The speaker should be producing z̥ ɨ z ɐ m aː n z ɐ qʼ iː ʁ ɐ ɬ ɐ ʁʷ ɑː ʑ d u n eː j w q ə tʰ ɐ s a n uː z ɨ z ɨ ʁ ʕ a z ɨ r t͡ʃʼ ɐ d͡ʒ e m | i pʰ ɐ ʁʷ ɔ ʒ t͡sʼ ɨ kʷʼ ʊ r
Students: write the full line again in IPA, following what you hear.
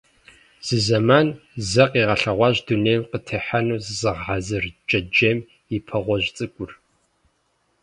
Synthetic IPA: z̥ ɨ z ɐ m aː n z ɐ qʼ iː ʁ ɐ ɬ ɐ ʁʷ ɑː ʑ d u n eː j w q ə tʰ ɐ ħ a n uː z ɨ z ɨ ʁ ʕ a z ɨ r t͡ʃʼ ɐ d͡ʒ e m | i pʰ ɐ ʁʷ ɔ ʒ t͡sʼ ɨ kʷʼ ʊ r

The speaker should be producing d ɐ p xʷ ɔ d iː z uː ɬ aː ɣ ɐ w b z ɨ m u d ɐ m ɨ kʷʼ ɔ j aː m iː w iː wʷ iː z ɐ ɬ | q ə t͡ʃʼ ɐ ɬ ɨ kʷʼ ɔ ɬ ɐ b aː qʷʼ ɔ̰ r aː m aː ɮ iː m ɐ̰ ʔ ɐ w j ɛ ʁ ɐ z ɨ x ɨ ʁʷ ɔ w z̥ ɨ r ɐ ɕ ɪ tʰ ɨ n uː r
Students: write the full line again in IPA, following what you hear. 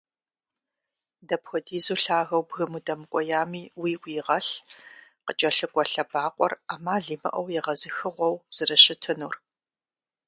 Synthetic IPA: d ɐ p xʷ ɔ d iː z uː ɬ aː ɣ ɐ w b ɣ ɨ m u d ɐ m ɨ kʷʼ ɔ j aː m iː w iː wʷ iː ʁ ɐ ɬ | q ə t͡ʃʼ ɐ ɬ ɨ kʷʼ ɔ ɬ ɐ b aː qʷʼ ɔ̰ r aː m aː ɮ iː m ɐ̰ ʔ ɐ w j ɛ ʁ ɐ z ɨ x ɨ ʁʷ ɔ w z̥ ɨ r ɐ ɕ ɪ tʰ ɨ n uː r

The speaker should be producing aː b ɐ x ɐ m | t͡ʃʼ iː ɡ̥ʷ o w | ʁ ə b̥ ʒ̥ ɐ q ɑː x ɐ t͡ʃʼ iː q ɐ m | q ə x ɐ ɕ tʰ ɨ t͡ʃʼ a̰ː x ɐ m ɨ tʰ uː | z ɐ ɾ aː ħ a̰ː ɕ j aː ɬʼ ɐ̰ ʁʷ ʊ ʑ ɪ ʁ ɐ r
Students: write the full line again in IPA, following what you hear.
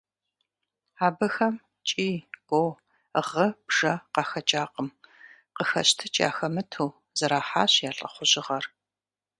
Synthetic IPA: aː b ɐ x ɐ m | t͡ʃʼ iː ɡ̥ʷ o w | ʁ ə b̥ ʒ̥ ɐ q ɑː x ɐ t͡ʃʼ aː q ə m | q ə x ɐ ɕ tʰ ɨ t͡ʃʼ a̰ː x ɐ m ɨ tʰ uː | z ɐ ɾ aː ħ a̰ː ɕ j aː ɬʼ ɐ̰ χʷ ʊ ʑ ɪ ʁ ɐ r

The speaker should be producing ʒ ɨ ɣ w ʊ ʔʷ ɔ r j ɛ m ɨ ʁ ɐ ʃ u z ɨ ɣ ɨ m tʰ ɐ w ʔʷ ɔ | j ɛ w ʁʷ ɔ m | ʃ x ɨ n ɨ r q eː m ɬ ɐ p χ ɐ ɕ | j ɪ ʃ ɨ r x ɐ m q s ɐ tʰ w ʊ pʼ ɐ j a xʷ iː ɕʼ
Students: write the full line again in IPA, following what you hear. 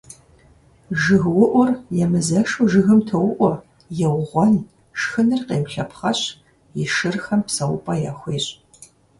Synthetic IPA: ʒ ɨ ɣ w ʊ ʔʷ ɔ r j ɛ m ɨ z ɐ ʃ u ʒ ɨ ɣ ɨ m tʰ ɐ w ʔʷ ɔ | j ɛ w ʁʷ ɔ n | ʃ x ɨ n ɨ r q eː m ɬ ɐ p χ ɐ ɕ | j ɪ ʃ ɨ r x ɐ m p s ɐ w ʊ pʼ ɐ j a xʷ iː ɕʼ

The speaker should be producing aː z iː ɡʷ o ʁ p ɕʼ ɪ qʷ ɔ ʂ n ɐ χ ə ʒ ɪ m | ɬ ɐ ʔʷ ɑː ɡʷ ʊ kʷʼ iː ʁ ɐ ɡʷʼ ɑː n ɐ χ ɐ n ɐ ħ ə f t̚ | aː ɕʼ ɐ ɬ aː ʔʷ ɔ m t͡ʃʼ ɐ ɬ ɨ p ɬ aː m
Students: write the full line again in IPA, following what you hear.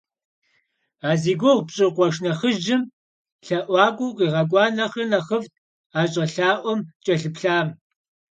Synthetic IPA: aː z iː ɡʷ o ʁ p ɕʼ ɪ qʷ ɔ ʂ n ɐ χ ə ʒ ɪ m | ɬ ɐ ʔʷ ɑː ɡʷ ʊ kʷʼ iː ʁ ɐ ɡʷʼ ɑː n ɐ χ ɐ n ɐ χ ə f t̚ | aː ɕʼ ɐ ɬ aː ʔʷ ɔ m t͡ʃʼ ɐ ɬ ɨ p ɬ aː m

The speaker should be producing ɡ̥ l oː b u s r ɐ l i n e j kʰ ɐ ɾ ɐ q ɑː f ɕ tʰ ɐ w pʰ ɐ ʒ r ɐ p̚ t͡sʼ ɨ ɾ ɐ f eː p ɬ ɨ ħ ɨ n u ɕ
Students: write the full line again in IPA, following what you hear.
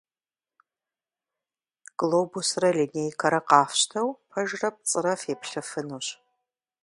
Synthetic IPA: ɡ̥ l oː b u s r ɐ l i n e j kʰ ɐ ɾ ɐ q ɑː f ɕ tʰ ɐ w pʰ ɐ ʒ r ɐ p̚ t͡sʼ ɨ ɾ ɐ f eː p ɬ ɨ f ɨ n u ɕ

